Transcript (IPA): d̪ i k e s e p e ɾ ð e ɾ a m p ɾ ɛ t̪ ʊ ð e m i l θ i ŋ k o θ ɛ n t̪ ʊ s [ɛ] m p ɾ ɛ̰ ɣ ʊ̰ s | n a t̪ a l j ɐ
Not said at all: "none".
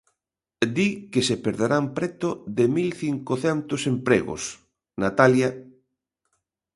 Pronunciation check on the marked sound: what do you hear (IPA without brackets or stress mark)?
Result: e